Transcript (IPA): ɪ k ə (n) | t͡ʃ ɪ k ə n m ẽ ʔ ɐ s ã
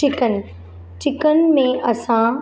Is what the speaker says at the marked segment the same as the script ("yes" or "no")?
yes